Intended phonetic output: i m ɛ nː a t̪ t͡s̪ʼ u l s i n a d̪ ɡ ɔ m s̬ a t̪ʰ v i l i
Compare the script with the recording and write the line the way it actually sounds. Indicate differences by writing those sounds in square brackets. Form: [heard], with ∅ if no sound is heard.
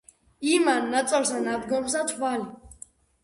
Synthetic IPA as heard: i m [a] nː a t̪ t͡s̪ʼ [ɔ] l s [a] n a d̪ ɡ ɔ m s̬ a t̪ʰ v [a] l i